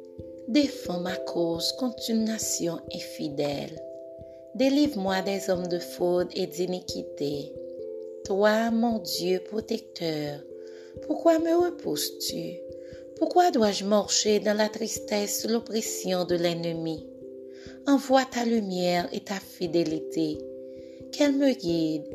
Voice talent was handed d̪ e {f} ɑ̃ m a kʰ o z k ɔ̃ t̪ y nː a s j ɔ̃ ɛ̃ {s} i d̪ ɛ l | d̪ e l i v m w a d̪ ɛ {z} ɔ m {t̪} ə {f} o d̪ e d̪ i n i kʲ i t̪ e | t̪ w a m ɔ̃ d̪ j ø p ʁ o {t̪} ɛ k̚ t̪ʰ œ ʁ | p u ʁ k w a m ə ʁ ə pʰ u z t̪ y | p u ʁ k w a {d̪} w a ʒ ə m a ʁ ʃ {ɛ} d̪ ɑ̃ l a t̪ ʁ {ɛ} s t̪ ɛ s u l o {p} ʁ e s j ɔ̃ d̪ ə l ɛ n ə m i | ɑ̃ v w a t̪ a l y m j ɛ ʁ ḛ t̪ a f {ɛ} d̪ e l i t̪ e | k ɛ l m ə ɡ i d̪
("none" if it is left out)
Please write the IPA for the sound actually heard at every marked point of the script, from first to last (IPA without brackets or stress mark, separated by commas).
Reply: f, f, z, d̪, f, t̪, d̪, e, i, p, i